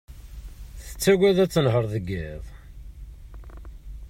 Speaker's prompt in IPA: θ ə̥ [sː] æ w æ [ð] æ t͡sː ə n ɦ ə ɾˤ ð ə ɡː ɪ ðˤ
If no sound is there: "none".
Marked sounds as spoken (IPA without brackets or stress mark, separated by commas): t͡sː, ð